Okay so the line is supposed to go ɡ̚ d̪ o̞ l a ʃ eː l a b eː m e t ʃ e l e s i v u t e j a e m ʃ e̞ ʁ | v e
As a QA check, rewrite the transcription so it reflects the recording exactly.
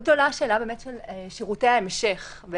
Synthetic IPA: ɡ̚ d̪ o̞ l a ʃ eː l a b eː m e t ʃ e l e ʃ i ʁ u t e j a e m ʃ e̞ χ | v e